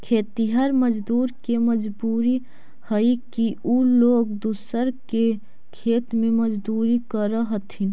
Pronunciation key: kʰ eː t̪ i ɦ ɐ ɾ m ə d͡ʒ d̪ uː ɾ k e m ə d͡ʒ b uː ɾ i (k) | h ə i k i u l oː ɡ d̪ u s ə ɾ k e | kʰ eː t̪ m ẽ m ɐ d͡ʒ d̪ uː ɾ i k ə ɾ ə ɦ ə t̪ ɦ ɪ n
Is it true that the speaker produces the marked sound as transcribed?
no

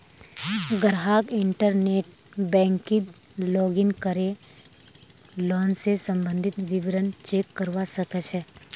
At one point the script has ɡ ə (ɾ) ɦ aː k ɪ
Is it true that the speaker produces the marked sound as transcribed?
yes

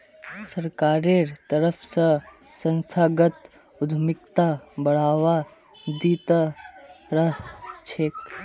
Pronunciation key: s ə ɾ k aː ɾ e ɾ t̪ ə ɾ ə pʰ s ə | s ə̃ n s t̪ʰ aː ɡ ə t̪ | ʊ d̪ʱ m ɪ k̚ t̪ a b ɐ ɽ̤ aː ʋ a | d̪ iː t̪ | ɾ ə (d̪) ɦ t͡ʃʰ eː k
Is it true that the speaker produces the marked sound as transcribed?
no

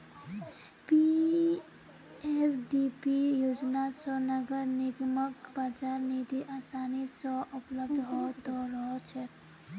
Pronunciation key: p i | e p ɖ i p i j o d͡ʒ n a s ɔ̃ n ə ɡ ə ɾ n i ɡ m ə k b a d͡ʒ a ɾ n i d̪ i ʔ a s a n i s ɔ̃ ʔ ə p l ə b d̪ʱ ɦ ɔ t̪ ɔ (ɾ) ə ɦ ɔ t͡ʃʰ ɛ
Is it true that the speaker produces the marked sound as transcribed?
yes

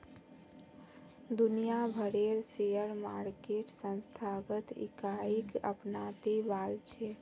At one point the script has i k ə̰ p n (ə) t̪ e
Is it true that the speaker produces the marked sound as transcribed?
no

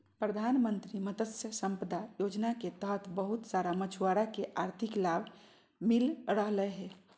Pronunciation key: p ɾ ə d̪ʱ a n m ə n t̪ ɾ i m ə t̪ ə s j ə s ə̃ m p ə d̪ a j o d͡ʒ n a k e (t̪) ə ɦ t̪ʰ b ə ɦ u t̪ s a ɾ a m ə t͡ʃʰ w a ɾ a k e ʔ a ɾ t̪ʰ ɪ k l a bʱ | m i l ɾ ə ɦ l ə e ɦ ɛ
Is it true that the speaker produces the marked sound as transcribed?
yes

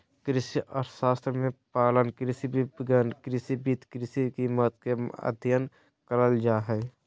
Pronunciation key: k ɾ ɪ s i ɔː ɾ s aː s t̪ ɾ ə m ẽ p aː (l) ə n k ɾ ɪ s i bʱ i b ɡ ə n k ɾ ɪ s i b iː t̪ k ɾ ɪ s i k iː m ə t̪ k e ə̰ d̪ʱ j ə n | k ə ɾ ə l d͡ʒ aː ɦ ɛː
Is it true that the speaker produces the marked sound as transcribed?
yes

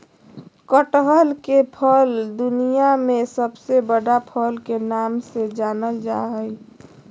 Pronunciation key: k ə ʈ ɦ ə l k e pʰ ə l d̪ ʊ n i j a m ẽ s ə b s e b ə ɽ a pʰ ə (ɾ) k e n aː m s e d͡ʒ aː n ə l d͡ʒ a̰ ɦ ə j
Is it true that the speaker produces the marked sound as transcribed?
no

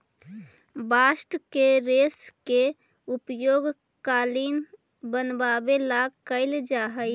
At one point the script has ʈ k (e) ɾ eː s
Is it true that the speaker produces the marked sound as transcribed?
yes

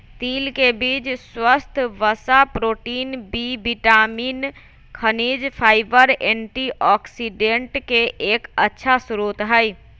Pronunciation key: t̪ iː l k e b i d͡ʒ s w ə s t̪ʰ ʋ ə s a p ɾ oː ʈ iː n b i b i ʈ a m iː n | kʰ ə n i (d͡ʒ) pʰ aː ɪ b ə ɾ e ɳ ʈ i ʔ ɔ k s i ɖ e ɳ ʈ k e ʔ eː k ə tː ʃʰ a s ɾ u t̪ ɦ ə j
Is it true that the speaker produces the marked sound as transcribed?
yes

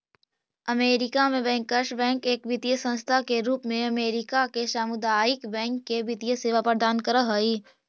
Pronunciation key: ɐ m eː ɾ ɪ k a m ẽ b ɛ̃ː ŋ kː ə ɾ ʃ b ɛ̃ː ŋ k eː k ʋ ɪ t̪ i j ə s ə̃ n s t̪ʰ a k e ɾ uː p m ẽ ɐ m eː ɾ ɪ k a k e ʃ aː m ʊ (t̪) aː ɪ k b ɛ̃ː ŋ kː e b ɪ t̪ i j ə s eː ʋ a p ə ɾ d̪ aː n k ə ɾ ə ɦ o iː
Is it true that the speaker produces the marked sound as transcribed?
no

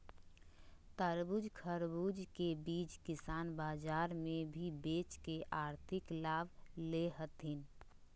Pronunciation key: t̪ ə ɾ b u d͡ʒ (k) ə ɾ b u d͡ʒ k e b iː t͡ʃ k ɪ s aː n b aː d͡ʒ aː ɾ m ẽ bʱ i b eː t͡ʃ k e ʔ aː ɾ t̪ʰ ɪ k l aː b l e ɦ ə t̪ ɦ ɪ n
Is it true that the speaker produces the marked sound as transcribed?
no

